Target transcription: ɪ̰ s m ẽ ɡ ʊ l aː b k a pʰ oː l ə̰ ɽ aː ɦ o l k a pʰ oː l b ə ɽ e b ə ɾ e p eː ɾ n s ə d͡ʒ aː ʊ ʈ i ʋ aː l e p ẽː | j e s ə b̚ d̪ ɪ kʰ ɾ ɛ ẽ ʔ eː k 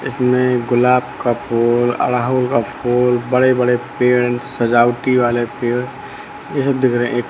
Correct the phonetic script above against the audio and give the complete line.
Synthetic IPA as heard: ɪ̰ s m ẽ ɡ ʊ l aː b k a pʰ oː l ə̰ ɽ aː ɦ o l k a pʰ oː l b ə ɽ e b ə ɽ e p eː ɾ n s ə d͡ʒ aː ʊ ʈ i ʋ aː l e p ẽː | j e s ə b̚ d̪ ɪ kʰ ɾ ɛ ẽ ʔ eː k